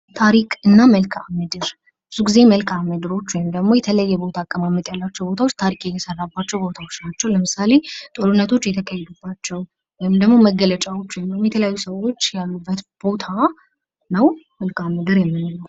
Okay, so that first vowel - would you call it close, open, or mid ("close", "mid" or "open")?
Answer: open